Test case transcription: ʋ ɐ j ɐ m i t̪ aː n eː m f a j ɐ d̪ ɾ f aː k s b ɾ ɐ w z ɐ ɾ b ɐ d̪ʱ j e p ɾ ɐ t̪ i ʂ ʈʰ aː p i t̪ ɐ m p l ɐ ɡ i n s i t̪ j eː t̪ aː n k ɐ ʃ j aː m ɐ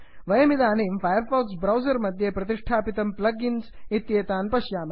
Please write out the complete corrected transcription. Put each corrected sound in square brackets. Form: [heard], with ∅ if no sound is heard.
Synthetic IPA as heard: ʋ ɐ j ɐ m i [d̪] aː n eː m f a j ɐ [∅] ɾ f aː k s b ɾ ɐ w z ɐ ɾ [m] ɐ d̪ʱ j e p ɾ ɐ t̪ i ʂ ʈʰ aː p i t̪ ɐ m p l ɐ ɡ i n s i t̪ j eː t̪ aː n [p] ɐ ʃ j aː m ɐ